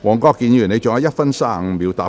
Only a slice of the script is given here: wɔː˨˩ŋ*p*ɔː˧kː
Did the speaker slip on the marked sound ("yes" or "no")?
yes